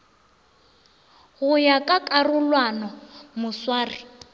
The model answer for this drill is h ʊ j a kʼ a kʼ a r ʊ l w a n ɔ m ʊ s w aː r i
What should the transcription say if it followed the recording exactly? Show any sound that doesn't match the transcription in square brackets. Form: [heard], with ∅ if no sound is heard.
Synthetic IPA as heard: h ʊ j a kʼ a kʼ a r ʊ l w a n ɔ m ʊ s w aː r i